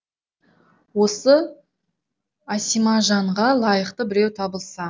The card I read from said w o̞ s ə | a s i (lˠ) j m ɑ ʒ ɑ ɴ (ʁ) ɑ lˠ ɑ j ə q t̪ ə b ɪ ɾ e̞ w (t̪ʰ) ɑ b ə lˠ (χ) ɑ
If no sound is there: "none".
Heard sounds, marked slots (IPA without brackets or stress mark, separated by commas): none, ʁ, t̪ʰ, s